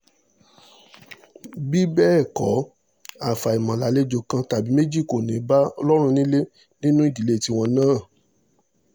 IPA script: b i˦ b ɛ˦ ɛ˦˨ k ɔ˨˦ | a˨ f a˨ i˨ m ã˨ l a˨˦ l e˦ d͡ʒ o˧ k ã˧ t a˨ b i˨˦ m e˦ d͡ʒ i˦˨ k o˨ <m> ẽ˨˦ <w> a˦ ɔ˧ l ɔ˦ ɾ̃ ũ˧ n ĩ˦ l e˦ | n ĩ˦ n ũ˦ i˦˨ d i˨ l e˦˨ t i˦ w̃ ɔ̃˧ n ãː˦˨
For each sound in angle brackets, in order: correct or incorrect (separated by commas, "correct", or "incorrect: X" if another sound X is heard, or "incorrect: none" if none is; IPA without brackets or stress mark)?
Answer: incorrect: n, incorrect: b